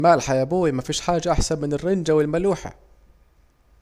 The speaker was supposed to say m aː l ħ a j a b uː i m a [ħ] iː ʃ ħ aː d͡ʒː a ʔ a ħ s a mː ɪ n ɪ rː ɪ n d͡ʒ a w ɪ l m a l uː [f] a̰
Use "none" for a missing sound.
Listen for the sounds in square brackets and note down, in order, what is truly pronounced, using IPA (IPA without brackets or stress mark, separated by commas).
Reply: f, ħ